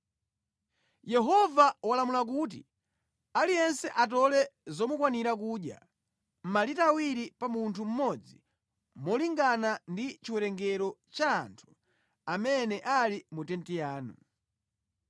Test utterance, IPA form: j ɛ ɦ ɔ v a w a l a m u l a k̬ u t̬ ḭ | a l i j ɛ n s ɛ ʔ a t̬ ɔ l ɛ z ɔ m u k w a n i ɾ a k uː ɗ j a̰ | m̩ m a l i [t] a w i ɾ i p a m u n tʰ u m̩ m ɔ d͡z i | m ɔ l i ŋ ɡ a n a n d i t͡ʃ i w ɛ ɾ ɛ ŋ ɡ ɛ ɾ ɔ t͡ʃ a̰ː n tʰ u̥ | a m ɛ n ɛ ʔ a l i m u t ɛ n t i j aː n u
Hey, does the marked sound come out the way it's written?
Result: yes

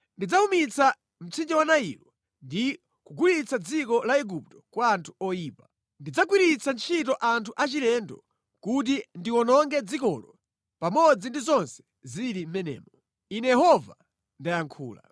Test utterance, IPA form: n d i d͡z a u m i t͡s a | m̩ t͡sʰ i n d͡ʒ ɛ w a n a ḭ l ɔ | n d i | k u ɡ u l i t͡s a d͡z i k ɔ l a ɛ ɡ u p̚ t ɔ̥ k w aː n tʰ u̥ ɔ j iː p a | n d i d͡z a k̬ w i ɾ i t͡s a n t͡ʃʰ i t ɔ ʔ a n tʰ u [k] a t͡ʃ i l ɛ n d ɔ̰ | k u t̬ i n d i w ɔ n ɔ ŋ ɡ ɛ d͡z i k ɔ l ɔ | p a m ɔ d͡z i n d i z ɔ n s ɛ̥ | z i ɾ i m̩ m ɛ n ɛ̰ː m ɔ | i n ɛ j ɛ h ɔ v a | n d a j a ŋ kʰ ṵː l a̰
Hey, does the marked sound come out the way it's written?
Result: no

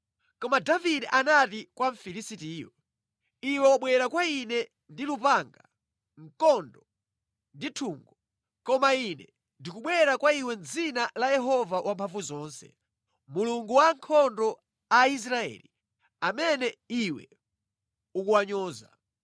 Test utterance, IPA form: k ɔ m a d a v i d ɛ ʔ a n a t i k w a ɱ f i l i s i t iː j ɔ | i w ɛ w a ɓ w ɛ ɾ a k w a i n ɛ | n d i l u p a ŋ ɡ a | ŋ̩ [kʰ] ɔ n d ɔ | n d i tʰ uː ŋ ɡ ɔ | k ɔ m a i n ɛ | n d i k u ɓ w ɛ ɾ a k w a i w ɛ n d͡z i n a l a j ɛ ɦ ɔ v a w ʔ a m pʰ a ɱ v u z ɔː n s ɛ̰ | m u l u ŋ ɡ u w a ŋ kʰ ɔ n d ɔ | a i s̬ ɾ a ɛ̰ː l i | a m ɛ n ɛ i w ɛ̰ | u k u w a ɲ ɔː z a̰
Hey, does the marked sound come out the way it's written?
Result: no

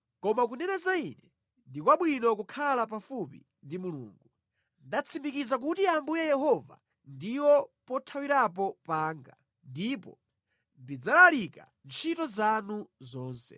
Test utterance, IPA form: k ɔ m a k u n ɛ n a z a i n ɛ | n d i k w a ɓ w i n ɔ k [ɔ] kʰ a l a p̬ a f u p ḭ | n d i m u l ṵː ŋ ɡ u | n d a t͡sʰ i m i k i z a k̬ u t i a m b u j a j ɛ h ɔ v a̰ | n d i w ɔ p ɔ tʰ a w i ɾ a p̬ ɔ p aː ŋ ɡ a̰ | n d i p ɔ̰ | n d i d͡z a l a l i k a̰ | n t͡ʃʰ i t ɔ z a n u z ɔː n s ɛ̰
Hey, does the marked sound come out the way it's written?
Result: no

